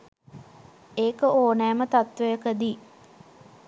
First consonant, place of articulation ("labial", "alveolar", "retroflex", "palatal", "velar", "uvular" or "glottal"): velar